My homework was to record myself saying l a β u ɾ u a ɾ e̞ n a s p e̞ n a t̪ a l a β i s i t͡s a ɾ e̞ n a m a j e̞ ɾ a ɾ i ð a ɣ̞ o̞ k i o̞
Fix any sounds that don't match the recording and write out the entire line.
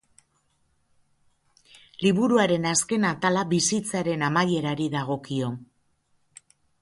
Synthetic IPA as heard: l i β u ɾ u a ɾ e̞ n a s k e̞ n a t̪ a l a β i s i t͡s a ɾ e̞ n a m a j e̞ ɾ a ɾ i ð a ɣ̞ o̞ k i o̞